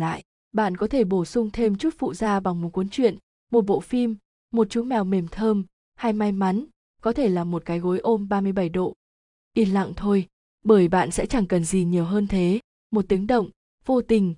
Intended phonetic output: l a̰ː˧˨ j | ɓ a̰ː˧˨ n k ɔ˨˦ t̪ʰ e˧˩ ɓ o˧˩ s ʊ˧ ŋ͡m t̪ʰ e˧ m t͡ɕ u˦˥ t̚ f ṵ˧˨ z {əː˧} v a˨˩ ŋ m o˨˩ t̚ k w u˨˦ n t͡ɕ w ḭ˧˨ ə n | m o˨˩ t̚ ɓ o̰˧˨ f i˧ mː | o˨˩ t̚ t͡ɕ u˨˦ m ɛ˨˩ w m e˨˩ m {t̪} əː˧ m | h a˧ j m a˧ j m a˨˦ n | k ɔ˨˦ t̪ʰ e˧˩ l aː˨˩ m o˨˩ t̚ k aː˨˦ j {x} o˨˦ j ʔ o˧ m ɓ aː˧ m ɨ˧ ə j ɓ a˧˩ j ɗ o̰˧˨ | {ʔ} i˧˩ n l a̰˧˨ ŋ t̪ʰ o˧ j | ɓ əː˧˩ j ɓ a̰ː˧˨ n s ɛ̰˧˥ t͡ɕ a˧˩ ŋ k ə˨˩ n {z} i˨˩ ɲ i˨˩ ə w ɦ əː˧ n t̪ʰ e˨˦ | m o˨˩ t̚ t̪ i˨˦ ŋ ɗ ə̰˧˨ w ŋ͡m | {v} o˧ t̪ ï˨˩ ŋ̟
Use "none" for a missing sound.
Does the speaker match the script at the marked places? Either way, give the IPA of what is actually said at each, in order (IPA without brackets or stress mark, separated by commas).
aː˧, t̪ʰ, ɣ, ʔ, z, v